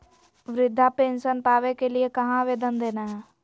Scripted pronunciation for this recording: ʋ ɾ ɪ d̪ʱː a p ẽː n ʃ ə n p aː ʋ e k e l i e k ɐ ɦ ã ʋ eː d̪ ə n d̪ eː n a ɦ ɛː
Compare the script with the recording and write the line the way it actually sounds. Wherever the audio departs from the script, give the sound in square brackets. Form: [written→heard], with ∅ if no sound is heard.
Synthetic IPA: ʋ ɾ ɪ d̪ʱː a p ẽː n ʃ ə n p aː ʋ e k e l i e k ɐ ɦ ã ʋ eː d̪ ə n d̪ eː n a ɦ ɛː